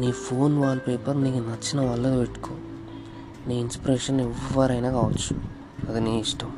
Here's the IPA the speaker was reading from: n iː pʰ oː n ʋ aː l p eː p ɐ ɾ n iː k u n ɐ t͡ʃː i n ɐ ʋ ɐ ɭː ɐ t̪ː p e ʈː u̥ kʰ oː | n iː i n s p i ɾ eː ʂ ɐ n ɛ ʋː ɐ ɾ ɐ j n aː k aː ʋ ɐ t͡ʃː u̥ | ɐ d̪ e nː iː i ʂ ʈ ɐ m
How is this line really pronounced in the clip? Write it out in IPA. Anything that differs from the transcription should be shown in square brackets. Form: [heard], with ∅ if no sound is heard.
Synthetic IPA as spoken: n iː pʰ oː n ʋ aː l p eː p ɐ ɾ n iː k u n ɐ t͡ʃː i n ɐ ʋ ɐ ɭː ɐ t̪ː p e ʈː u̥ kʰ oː | n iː i n s p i ɾ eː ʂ ɐ n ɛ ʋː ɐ ɾ ɐ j n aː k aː ʋ ɐ t͡ʃː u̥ | ɐ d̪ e [n] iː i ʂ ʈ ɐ m